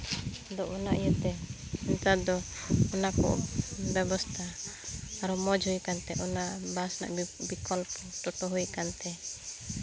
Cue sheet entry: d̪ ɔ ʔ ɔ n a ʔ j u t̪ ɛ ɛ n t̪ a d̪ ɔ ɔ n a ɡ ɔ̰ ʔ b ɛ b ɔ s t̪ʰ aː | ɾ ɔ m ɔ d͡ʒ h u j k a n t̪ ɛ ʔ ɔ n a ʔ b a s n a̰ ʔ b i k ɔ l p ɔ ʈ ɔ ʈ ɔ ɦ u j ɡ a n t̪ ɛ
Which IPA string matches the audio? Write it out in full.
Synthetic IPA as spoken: d̪ ɔ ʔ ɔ n a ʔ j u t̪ ɛ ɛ n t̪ a d̪ ɔ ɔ n a k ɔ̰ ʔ b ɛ b ɔ s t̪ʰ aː | ɾ ɔ m ɔ d͡ʒ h u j k a n t̪ ɛ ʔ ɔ n a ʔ b a s n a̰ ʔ b i k ɔ l p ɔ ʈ ɔ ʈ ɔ ɦ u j k a n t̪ ɛ